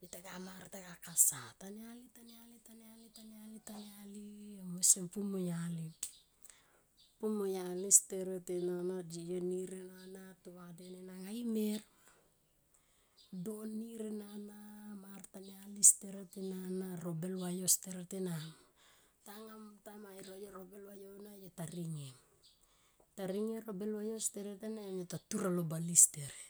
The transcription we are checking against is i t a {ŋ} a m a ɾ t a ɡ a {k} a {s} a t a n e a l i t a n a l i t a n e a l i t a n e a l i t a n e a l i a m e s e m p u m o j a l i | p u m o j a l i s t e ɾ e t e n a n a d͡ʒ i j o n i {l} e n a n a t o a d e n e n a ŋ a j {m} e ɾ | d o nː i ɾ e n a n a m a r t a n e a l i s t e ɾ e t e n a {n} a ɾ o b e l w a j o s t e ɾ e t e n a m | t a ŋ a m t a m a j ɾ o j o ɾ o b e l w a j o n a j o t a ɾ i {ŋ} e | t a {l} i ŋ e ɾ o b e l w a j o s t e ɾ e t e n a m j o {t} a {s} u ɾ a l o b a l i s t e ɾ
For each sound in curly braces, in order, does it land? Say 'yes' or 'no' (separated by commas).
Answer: no, yes, yes, no, yes, yes, yes, no, yes, no